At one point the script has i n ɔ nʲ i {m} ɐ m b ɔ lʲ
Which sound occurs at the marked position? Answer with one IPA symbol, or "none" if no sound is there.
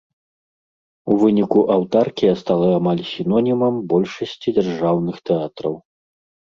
m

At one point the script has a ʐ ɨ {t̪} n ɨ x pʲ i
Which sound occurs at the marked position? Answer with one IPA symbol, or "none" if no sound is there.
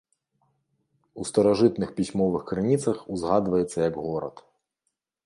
t̪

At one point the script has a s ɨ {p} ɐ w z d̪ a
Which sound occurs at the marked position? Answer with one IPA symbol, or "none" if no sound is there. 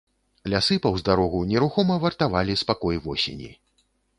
p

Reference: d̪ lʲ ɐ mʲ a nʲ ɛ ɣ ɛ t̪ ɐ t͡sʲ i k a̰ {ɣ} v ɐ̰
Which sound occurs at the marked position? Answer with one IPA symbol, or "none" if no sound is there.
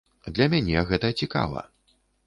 none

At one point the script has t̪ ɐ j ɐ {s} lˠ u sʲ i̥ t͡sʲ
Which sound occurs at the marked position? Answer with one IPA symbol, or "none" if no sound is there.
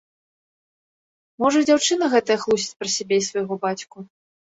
x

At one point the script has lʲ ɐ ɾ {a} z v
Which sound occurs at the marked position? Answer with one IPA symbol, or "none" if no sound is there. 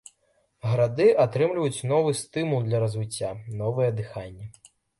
ɐ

